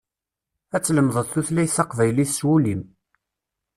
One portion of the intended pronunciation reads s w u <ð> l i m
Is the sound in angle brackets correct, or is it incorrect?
incorrect